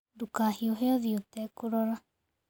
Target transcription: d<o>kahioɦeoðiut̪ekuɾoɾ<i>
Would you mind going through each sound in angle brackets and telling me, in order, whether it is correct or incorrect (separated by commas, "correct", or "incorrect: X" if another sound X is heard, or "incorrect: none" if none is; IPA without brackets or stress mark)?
incorrect: u, incorrect: a